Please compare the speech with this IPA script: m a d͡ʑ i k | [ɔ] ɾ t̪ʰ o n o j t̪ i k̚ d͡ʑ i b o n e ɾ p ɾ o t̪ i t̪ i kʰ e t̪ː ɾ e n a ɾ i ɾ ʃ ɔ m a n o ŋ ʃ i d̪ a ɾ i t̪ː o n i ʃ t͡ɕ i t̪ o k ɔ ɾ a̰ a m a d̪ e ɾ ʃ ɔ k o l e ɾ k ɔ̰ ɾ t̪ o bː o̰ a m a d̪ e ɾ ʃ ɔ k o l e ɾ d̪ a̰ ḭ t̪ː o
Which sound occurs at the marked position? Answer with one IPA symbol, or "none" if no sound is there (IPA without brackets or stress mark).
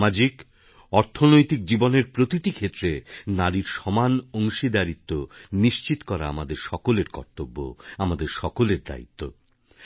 ɔ